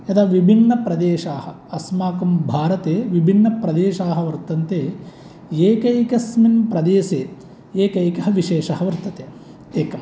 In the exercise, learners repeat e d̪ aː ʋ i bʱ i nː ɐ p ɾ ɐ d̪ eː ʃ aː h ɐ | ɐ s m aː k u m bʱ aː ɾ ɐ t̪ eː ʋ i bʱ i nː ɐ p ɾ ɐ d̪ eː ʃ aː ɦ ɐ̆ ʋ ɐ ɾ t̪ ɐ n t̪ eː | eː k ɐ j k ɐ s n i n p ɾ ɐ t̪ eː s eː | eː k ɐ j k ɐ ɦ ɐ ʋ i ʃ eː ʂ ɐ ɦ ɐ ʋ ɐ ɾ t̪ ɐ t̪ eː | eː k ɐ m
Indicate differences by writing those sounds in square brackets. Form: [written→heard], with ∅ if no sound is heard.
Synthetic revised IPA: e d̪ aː ʋ i bʱ i nː ɐ p ɾ ɐ d̪ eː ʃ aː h ɐ | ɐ s m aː k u m bʱ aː ɾ ɐ t̪ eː ʋ i bʱ i nː ɐ p ɾ ɐ d̪ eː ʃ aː ɦ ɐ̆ ʋ ɐ ɾ t̪ ɐ n t̪ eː | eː k ɐ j k ɐ s [n→m] i n p ɾ ɐ [t̪→d̪] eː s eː | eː k ɐ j k ɐ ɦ ɐ ʋ i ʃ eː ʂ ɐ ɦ ɐ ʋ ɐ ɾ t̪ ɐ t̪ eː | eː k ɐ m